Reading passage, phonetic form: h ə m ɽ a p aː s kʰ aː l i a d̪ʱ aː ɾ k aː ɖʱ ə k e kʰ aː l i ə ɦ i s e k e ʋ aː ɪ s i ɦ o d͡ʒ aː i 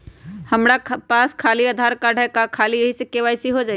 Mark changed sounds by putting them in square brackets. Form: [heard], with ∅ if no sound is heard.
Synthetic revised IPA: h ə m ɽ a p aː s kʰ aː l i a d̪ʱ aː ɾ k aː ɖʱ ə k [a] kʰ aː l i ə ɦ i s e k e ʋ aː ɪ s i ɦ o d͡ʒ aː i